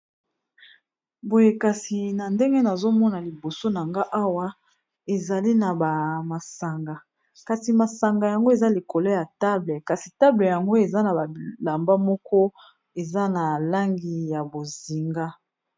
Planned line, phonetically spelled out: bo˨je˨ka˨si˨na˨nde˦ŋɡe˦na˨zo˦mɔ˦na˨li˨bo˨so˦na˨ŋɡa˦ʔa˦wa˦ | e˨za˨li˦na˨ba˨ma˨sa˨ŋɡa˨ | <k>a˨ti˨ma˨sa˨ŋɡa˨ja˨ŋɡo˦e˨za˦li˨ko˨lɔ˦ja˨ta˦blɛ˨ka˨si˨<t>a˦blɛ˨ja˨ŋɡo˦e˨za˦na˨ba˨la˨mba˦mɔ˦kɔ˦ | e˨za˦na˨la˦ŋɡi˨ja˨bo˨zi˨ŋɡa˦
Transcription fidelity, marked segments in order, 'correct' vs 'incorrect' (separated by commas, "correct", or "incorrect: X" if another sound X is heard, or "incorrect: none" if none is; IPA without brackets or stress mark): correct, correct